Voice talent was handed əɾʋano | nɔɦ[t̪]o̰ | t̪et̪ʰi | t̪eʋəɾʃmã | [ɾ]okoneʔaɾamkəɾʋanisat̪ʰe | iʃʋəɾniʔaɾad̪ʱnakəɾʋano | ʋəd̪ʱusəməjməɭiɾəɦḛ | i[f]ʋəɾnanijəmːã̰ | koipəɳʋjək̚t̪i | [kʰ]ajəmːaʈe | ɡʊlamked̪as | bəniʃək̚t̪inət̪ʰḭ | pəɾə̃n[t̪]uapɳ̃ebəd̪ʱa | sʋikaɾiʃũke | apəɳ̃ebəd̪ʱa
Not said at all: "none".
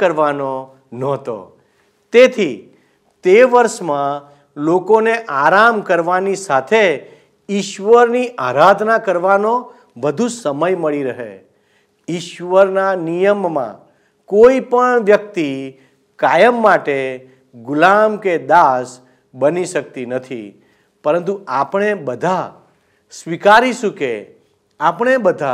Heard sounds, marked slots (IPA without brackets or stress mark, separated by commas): t̪, l, ʃ, k, t̪